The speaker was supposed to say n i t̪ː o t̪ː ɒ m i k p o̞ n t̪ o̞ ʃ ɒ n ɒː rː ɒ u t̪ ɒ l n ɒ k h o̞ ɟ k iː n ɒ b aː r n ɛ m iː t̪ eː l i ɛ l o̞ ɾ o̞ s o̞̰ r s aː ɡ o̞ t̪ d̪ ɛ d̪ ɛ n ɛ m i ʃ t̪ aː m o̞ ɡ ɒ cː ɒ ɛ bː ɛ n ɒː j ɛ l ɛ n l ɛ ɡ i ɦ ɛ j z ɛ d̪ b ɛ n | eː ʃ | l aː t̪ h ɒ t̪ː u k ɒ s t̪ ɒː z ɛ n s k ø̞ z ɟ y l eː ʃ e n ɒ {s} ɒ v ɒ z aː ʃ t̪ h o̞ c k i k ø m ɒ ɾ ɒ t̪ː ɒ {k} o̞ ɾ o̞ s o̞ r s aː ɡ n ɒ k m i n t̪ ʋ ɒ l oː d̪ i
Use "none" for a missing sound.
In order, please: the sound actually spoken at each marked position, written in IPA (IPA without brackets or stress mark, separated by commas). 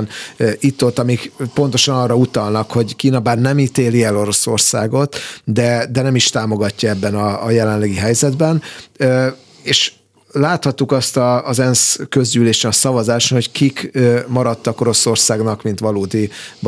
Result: s, k